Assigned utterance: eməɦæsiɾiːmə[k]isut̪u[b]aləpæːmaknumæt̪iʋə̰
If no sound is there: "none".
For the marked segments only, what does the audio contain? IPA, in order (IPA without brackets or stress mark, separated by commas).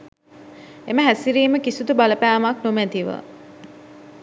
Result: k, b